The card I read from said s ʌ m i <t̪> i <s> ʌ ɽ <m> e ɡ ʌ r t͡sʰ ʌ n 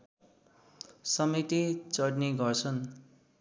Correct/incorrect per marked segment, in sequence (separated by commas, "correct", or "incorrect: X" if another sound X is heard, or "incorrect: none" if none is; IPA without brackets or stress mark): correct, incorrect: t͡s, incorrect: n